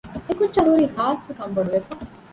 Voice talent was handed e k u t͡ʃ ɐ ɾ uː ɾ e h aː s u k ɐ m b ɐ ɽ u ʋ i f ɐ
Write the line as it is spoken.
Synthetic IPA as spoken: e k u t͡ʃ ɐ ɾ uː ɾ i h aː s u k ɐ m b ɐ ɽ u ʋ e f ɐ